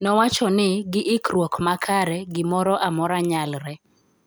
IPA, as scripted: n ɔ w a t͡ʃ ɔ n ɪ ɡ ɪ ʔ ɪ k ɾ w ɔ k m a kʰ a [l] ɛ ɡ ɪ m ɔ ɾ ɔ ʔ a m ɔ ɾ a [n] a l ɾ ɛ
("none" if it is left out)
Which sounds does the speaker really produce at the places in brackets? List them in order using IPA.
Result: ɾ, ɲ

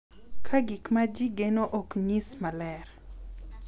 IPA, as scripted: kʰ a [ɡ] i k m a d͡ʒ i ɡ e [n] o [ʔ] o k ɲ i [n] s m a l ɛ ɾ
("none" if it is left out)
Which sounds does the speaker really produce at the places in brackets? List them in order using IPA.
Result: ɡ, n, ʔ, none

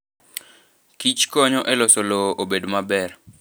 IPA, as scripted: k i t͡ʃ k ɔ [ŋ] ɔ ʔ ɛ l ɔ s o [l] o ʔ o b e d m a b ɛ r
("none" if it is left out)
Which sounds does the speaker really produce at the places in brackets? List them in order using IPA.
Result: ɲ, l

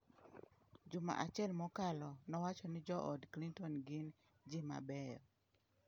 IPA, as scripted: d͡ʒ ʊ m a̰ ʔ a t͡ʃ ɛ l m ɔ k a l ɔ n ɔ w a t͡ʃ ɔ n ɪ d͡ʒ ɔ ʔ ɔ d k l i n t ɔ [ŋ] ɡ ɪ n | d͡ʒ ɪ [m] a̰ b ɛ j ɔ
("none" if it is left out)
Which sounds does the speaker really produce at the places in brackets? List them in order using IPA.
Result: n, m

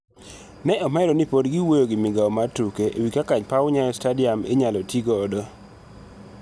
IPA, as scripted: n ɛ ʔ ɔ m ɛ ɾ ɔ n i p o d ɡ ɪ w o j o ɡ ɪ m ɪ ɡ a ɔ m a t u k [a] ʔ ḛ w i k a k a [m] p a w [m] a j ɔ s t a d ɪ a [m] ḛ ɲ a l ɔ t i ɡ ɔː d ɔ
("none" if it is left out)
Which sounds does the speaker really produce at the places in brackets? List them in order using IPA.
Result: e, ɲ, ɲ, m

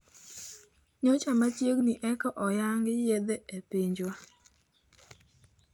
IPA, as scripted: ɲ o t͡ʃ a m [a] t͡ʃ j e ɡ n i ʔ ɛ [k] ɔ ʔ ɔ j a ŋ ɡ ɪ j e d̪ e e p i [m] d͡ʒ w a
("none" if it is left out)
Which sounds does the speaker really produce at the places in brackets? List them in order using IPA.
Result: a, k, ɲ

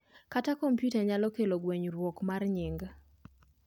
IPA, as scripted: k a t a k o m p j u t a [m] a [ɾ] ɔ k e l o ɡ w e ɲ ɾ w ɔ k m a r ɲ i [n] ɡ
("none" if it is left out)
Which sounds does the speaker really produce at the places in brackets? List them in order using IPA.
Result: ɲ, l, ŋ

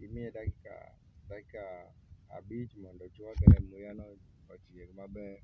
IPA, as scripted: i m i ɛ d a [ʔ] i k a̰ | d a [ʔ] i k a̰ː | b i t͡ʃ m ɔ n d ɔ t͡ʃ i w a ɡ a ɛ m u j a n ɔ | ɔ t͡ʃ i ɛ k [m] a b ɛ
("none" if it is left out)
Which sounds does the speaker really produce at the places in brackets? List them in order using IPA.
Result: k, k, m

